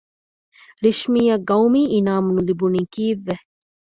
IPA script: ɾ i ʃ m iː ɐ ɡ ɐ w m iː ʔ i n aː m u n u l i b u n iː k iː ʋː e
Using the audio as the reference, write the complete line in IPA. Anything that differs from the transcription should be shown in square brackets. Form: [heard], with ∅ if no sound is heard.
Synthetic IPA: ɾ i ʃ m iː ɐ ɡ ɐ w m iː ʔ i n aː m u n u l i b u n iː k iː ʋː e